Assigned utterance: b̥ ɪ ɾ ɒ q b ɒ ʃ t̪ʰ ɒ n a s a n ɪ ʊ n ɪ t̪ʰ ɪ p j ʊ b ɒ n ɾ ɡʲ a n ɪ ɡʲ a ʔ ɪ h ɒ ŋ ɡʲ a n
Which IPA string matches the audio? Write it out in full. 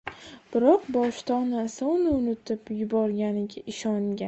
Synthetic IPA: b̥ ɪ ɾ ɒ q b ɒ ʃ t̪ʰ ɒ n a s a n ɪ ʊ n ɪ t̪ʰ ɪ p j ʊ b ɒ ɾ ɡʲ a n ɪ ɡʲ a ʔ ɪ ʃ ɒ ŋ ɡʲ a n